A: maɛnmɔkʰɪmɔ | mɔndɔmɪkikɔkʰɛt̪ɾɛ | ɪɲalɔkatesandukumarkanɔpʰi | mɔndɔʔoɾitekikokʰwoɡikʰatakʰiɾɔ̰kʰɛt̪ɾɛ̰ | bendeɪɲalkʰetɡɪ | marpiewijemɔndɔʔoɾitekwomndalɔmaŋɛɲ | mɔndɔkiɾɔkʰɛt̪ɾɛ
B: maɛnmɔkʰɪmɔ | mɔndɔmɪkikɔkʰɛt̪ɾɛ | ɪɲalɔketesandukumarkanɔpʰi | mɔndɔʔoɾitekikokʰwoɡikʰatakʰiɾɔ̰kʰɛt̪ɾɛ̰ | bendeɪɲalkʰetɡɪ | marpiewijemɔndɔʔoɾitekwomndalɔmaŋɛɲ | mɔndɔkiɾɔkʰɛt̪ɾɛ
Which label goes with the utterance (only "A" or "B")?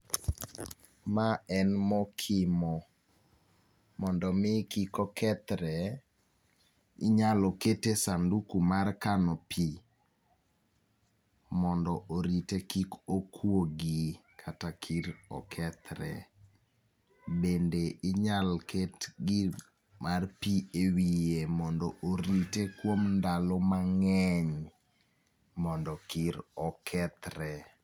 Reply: B